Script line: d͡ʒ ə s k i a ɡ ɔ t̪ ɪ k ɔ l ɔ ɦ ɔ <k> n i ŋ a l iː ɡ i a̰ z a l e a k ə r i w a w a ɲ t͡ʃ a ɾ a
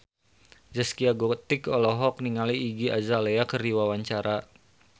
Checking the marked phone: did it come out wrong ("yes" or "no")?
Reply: no